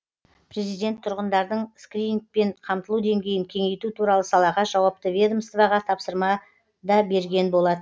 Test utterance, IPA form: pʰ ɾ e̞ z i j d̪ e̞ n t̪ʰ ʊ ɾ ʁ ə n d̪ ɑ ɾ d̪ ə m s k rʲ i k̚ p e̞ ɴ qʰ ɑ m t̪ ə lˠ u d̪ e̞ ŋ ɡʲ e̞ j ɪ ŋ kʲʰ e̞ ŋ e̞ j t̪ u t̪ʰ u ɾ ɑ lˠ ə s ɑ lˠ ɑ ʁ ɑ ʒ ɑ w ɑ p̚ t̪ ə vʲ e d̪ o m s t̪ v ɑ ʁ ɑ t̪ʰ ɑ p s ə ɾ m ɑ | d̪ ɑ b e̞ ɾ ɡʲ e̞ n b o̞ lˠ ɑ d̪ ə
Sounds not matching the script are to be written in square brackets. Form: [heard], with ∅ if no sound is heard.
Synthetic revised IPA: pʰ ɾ e̞ z i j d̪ e̞ n t̪ʰ ʊ ɾ ʁ ə n d̪ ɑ ɾ d̪ ə [ɴ] s k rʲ i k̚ p e̞ ɴ qʰ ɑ m t̪ ə lˠ u d̪ e̞ ŋ ɡʲ e̞ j ɪ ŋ kʲʰ e̞ ŋ e̞ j t̪ u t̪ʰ u ɾ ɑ lˠ ə s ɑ lˠ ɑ ʁ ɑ ʒ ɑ w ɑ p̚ t̪ ə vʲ e d̪ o m s t̪ v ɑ ʁ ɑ t̪ʰ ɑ p s ə ɾ m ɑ | d̪ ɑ b e̞ ɾ ɡʲ e̞ n b o̞ lˠ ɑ d̪ ə

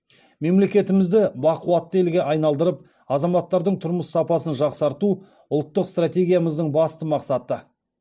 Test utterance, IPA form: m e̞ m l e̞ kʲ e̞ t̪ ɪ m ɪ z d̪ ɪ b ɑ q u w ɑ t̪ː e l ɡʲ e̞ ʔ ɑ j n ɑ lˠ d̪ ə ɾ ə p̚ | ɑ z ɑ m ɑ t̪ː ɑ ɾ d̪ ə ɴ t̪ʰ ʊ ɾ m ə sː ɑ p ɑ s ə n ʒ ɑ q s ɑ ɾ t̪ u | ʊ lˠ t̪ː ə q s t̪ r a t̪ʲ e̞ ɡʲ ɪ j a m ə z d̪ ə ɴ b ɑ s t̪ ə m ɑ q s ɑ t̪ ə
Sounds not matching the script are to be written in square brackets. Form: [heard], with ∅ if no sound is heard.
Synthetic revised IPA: m e̞ m l e̞ kʲ e̞ t̪ ɪ m ɪ z d̪ ɪ b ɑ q u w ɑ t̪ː e l ɡʲ e̞ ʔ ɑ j n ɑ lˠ d̪ ə ɾ ə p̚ | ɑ z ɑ m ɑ t̪ː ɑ ɾ d̪ ə ɴ t̪ʰ ʊ ɾ m ə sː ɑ p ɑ s ə n ʒ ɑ q s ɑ ɾ t̪ u | ʊ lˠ t̪ː ə q s t̪ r a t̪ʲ e̞ ɡʲ [i] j a m ə z d̪ ə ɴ b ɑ s t̪ ə m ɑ q s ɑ t̪ ə

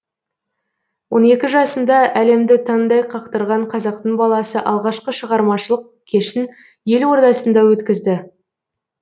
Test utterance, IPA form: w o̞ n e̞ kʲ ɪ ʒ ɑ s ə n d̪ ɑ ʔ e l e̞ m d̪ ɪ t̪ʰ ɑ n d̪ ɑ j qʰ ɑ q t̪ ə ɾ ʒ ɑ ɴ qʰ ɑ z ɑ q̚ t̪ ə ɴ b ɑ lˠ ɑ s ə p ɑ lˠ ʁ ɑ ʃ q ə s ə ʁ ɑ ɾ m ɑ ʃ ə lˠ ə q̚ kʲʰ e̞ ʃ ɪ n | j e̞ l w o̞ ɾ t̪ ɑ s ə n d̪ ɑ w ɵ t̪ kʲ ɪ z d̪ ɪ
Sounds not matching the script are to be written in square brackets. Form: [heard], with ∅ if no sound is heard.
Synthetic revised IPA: w o̞ n e̞ kʲ ɪ ʒ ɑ s ə n d̪ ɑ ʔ [æ] l e̞ m d̪ ɪ t̪ʰ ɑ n d̪ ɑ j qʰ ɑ q t̪ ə ɾ [ʁ] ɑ ɴ qʰ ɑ z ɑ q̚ t̪ ə ɴ b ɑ lˠ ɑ s ə [ʔ] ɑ lˠ ʁ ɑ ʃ q ə [ʃ] ə ʁ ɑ ɾ m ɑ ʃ ə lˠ ə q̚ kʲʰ e̞ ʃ ɪ n | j e̞ l w o̞ ɾ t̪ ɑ s ə n d̪ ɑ w ɵ t̪ kʲ ɪ z d̪ ɪ

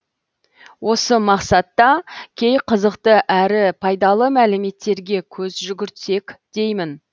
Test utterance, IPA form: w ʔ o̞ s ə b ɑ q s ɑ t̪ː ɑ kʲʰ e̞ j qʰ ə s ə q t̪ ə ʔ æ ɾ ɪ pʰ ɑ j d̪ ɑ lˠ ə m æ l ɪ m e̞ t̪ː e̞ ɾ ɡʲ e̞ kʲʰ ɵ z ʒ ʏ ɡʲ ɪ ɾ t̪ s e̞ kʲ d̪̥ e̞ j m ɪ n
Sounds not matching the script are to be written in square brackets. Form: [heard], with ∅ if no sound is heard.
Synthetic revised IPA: w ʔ o̞ s ə [m] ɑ q s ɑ t̪ː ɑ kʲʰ e̞ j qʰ ə [z] ə q t̪ ə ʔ æ ɾ ɪ pʰ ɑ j d̪ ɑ lˠ ə m æ l ɪ m e̞ t̪ː e̞ ɾ ɡʲ e̞ kʲʰ ɵ z ʒ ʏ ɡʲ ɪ ɾ t̪ s e̞ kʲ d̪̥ e̞ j m ɪ n

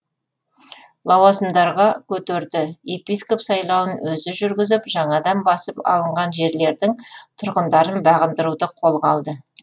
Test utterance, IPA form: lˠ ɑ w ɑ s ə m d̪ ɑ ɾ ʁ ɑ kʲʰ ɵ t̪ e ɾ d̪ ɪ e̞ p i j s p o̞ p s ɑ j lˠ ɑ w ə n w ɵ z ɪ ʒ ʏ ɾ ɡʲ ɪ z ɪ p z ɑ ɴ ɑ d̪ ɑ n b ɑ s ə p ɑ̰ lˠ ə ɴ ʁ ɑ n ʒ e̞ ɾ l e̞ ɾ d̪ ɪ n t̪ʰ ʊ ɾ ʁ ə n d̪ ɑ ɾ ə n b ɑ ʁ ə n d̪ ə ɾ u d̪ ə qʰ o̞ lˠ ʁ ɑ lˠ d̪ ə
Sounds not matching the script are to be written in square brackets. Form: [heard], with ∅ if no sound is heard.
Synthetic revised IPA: lˠ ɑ w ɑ s ə m d̪ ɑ ɾ ʁ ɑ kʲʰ ɵ t̪ e ɾ d̪ ɪ e̞ p i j s [k] o̞ p s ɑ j lˠ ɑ w ə n w ɵ z ɪ ʒ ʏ ɾ ɡʲ ɪ z ɪ p [ʒ] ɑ ɴ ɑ d̪ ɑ n b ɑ s ə p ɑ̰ lˠ ə ɴ ʁ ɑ n ʒ e̞ ɾ l e̞ ɾ d̪ ɪ [ŋ] t̪ʰ ʊ ɾ ʁ ə n d̪ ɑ ɾ ə n b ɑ ʁ ə n d̪ ə ɾ u d̪ ə qʰ o̞ lˠ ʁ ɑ lˠ d̪ ə

